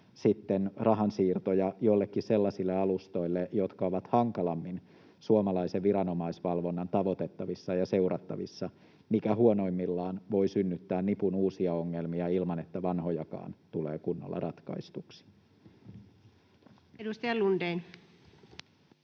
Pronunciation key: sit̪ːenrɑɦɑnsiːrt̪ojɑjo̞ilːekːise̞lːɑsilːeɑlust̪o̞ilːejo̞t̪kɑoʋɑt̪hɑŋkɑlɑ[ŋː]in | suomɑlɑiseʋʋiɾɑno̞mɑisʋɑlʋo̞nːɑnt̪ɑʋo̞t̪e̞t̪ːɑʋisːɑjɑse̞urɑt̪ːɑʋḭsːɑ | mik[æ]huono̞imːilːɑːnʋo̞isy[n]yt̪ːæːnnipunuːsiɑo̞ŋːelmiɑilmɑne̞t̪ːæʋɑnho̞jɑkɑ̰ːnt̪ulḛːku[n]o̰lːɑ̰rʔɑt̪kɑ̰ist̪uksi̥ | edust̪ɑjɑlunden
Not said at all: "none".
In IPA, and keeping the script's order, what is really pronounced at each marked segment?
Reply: mː, æ, nː, nː

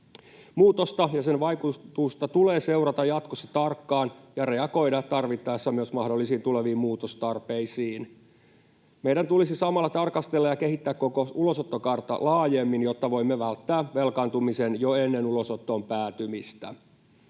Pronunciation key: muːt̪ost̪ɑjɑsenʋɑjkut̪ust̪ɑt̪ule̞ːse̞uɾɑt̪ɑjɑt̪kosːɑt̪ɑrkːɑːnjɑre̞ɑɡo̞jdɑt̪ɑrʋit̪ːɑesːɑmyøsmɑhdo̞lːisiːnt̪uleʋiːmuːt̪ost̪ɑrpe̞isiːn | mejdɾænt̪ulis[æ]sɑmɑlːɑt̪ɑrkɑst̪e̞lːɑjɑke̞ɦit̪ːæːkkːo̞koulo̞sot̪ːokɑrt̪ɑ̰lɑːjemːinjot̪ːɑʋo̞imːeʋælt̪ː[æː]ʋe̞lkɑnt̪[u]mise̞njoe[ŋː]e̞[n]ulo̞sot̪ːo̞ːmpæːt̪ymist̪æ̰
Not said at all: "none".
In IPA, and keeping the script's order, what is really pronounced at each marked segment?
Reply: i, æː, u, nː, n

